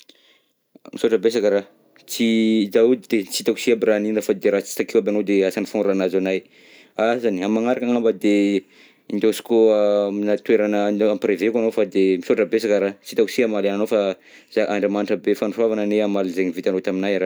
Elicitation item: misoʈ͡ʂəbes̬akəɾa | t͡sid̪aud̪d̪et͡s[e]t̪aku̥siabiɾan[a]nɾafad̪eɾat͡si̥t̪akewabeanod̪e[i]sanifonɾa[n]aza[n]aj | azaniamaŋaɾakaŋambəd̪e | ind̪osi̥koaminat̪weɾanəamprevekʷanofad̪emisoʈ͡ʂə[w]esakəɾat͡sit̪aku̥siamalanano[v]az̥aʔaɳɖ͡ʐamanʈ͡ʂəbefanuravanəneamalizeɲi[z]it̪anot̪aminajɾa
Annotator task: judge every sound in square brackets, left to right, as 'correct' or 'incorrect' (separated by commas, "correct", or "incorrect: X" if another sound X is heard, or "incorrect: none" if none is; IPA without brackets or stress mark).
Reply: incorrect: i, incorrect: i, incorrect: a, correct, correct, incorrect: b, incorrect: f, incorrect: v